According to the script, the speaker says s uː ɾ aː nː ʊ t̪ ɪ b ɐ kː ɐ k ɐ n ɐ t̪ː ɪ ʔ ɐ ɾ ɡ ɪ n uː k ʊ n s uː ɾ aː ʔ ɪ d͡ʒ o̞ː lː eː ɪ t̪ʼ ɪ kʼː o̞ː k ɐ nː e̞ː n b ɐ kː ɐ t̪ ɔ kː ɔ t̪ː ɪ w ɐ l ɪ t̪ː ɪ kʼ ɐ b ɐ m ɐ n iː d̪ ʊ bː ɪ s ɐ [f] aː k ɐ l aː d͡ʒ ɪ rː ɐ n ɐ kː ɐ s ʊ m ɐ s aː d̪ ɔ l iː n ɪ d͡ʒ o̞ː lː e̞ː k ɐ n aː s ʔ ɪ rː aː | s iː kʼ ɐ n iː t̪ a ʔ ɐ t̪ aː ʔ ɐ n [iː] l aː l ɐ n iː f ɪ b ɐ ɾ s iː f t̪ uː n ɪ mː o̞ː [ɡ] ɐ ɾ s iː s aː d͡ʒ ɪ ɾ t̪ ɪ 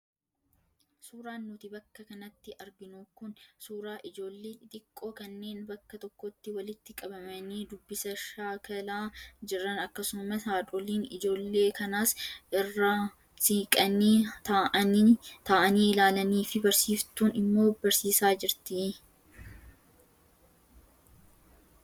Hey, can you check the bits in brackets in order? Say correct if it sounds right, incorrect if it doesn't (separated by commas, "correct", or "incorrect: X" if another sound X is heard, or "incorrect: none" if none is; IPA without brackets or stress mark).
incorrect: ʃ, correct, incorrect: b